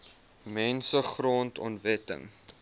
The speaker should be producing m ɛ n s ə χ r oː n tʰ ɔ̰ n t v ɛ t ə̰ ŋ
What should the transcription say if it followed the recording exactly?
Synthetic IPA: m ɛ n s ə χ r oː n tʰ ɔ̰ n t v ɛ t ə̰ ŋ